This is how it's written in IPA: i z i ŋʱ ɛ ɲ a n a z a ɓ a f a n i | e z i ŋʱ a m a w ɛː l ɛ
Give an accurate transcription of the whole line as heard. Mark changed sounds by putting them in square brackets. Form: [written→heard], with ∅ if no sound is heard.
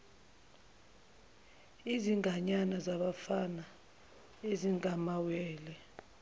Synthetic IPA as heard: i z i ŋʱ [ɛ→a] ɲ a n a z a ɓ a f a n [i→a] | e z i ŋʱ a m a w ɛː l ɛ